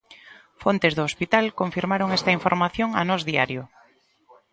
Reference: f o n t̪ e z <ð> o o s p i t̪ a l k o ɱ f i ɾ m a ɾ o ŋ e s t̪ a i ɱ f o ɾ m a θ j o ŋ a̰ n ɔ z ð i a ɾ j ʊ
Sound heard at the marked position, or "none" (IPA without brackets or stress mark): ð